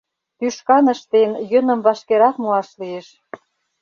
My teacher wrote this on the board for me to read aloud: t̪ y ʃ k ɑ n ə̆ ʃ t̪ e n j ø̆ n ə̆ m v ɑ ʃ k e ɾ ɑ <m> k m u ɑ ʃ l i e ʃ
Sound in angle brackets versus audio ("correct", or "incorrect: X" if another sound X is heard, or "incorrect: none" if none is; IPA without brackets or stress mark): incorrect: none